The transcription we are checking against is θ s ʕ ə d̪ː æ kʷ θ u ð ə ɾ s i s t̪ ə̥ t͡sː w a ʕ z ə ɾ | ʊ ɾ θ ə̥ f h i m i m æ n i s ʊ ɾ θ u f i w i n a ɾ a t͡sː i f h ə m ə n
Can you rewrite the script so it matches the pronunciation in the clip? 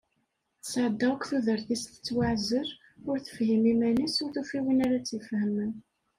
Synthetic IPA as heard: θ s ʕ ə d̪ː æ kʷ θ u ð ə ɾ θ i s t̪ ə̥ t͡sː w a ʕ z ə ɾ | ʊ ɾ θ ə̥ f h i m i m æ n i s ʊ ɾ θ u f i w i n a ɾ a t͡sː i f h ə m ə n